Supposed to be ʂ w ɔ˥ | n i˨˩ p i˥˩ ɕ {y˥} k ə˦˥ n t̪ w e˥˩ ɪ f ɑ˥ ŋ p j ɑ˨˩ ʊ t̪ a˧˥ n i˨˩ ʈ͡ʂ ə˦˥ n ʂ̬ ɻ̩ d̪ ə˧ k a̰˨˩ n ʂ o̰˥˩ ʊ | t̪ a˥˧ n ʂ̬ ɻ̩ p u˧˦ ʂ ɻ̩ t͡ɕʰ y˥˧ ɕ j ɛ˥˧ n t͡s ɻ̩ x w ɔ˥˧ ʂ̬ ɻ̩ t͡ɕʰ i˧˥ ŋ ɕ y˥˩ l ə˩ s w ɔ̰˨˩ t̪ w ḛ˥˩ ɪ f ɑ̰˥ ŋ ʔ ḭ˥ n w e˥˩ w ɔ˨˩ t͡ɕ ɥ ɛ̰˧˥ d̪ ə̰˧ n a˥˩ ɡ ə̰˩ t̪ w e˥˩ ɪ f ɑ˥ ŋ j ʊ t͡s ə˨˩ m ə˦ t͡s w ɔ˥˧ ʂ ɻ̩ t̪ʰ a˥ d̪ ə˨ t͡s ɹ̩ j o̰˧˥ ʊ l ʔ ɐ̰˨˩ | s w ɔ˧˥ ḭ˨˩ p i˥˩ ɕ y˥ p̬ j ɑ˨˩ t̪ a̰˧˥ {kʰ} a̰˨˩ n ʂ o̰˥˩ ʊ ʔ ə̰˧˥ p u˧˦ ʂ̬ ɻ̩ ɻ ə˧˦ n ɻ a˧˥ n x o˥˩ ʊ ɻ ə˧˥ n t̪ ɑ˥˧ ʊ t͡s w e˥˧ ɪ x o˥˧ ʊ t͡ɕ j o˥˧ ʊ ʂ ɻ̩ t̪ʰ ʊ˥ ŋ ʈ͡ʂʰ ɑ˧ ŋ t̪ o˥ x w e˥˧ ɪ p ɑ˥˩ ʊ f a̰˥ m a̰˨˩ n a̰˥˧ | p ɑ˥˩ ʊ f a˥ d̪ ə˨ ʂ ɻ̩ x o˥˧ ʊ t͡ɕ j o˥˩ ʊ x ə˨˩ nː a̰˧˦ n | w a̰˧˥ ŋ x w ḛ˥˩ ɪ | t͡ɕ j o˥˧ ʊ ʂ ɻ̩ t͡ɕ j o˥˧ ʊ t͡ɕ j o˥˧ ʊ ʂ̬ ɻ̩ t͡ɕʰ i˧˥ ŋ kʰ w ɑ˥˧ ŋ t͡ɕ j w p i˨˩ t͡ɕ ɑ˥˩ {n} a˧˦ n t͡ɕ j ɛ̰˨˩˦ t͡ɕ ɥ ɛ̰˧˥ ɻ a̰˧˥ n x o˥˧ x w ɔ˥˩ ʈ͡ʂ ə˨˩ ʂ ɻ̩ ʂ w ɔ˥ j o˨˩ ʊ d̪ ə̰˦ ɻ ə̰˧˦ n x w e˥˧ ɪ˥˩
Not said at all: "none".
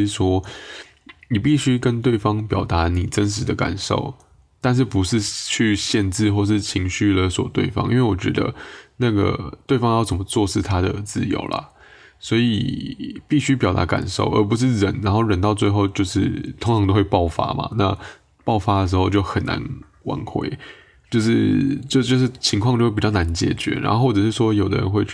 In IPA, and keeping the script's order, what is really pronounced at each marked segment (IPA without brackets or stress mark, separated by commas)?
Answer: y˥, k, n